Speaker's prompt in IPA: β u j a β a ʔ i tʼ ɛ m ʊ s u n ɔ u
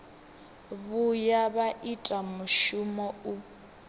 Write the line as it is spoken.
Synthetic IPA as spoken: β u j a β a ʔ i tʼ a m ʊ ʃ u m ɔ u